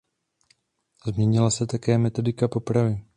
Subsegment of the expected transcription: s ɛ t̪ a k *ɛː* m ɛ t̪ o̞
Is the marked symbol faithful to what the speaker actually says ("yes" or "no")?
yes